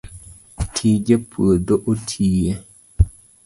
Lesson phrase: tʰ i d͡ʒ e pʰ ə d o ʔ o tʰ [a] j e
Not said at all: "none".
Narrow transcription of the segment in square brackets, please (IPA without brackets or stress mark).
i